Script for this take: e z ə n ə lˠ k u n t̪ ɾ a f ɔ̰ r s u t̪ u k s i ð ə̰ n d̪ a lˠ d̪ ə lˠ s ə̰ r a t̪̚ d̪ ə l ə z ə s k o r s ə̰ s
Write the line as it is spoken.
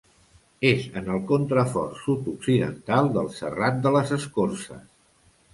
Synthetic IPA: e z ə n ə lˠ k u n t̪ ɾ ə f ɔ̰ r s u t̪ u k s i ð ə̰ n t̪ a lˠ d̪ ə lˠ s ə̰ r a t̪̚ d̪ ə l ə z ə s k o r s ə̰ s